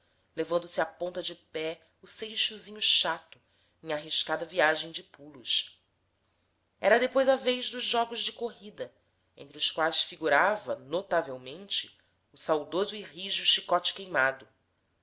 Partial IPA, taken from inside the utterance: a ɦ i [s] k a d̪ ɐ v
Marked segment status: incorrect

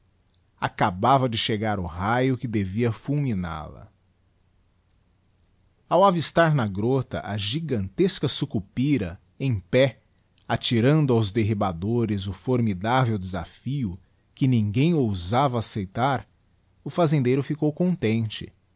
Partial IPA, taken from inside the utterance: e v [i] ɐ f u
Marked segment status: correct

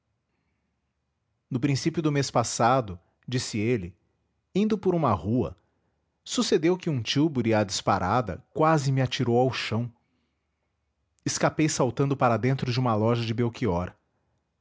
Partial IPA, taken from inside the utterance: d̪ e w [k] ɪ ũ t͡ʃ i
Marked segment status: correct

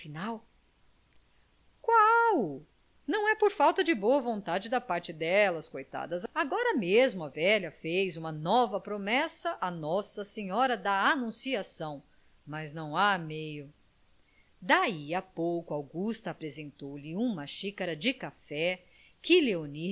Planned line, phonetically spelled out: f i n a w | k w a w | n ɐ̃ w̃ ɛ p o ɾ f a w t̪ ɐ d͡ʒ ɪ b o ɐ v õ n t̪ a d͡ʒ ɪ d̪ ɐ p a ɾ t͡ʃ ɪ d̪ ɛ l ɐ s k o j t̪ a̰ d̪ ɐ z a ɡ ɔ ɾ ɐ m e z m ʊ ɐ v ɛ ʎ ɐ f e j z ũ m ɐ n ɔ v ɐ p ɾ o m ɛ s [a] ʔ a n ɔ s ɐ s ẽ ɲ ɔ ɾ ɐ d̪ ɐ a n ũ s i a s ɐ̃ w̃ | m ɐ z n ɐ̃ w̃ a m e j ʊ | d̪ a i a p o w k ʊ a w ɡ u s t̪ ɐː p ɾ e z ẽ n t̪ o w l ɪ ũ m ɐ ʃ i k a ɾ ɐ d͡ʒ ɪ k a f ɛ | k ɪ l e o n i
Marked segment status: incorrect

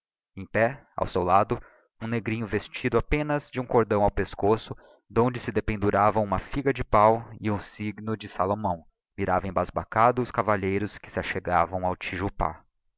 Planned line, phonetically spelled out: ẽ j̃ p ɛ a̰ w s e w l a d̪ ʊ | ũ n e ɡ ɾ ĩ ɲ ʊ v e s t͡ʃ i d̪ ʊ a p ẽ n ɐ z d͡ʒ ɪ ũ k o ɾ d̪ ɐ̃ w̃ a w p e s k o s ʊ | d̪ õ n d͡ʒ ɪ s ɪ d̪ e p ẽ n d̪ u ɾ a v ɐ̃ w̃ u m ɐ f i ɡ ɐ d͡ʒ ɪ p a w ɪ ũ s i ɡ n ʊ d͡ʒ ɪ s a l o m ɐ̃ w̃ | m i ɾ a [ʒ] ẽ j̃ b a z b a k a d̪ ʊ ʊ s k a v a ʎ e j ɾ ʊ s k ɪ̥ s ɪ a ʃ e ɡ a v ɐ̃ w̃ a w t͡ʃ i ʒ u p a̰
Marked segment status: incorrect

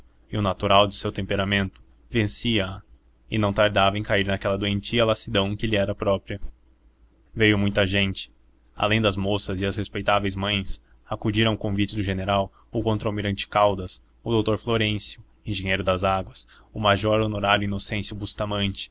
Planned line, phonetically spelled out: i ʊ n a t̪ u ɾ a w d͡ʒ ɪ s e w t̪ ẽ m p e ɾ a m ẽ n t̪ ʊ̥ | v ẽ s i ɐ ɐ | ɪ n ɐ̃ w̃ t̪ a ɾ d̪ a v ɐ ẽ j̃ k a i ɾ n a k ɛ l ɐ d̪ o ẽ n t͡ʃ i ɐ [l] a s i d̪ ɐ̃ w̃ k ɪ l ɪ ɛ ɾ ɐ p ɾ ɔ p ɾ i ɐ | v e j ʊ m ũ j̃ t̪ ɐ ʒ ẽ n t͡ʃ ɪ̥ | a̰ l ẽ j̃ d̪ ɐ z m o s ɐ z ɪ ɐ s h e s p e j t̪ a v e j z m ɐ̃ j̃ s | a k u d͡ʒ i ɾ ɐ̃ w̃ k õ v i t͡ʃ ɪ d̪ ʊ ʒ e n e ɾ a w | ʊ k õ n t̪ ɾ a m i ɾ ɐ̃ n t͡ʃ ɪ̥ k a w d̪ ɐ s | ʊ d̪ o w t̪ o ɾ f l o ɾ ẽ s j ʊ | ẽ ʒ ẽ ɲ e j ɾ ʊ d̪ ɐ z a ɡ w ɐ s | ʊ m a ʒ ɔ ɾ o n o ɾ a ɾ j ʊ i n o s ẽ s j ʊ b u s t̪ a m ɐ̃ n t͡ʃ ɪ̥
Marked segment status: correct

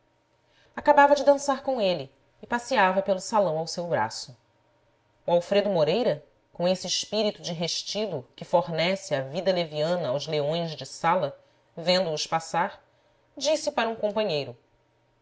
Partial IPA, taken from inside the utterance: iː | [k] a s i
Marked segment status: incorrect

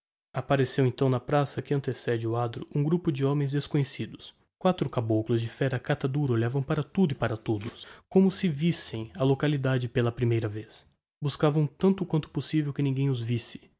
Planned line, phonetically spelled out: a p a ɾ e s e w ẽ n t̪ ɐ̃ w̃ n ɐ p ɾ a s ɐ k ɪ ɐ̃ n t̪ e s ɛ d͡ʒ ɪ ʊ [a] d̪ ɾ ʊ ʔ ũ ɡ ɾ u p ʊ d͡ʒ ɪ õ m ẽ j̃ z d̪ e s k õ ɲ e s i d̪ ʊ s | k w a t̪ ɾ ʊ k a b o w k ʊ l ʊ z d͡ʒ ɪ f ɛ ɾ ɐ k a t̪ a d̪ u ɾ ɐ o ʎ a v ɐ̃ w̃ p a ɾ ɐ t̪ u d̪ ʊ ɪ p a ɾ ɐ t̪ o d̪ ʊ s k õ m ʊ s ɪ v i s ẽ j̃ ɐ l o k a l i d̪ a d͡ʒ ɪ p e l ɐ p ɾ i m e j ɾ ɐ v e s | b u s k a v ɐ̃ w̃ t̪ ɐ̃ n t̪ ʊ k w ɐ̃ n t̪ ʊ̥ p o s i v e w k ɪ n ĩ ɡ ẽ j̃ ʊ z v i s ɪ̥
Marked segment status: correct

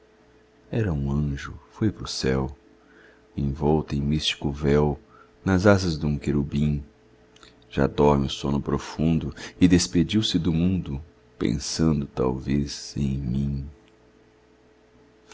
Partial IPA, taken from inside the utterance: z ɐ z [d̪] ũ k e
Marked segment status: correct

